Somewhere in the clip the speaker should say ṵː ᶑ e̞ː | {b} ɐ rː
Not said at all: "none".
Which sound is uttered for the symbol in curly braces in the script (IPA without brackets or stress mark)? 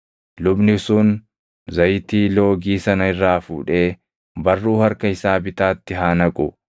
b